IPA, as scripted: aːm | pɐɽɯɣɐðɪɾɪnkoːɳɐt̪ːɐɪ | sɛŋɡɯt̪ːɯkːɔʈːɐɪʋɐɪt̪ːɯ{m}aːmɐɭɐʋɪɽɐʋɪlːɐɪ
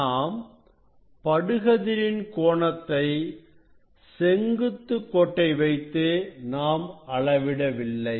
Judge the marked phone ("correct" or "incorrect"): incorrect